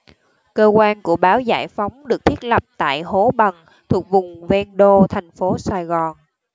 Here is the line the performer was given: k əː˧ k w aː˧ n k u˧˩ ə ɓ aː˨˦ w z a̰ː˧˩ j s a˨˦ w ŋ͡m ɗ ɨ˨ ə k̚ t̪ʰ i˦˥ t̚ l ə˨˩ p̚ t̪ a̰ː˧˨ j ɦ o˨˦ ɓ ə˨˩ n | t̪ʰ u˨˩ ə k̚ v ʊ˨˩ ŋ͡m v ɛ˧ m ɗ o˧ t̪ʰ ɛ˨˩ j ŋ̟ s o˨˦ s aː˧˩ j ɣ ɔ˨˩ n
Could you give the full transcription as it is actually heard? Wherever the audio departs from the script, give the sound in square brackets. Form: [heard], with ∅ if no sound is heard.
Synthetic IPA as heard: k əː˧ k w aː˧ n k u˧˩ ə ɓ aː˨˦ w z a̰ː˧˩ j [f] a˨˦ w ŋ͡m ɗ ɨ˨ ə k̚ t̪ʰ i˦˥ t̚ l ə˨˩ p̚ t̪ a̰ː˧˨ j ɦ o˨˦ ɓ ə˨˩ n | t̪ʰ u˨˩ ə k̚ v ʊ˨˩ ŋ͡m v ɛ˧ [n] ɗ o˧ t̪ʰ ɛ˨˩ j ŋ̟ [f] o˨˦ s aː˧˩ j ɣ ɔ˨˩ n